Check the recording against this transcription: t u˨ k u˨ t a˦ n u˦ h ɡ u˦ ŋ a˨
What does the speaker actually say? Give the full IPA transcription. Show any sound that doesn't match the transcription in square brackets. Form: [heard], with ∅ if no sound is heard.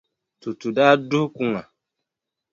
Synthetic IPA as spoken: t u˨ [t] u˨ [d] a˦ [d] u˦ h [k] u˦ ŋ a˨